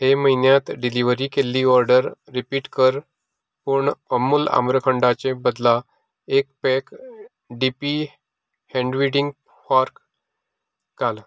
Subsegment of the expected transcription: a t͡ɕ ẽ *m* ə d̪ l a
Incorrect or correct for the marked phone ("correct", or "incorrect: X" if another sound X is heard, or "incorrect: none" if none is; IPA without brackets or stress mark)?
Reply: incorrect: b